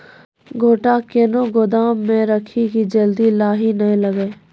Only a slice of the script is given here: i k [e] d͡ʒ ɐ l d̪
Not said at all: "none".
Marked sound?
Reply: i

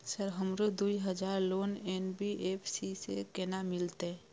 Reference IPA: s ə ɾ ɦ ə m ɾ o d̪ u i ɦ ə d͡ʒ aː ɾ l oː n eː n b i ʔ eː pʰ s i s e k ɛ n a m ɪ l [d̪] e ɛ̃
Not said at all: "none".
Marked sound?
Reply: t̪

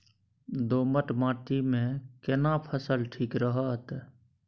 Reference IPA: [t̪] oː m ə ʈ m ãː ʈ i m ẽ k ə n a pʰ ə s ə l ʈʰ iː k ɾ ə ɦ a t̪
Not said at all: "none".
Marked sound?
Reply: d̪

